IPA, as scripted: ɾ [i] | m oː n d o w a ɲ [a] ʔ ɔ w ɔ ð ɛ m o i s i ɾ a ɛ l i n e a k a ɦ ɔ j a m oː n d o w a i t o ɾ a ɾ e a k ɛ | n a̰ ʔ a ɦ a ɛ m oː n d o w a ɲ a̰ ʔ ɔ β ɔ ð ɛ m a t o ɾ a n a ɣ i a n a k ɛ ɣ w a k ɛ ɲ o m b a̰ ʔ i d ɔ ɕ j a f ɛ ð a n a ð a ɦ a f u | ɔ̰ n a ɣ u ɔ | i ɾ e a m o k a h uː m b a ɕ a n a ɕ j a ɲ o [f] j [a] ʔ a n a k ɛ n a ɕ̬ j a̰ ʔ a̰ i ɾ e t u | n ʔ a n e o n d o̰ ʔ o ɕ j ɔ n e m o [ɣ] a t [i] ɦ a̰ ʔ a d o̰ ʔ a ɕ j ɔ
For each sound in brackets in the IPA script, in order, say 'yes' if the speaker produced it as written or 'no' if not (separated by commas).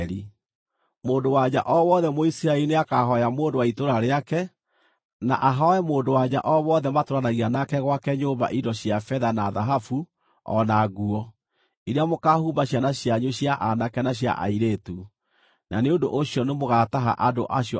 yes, yes, no, yes, yes, no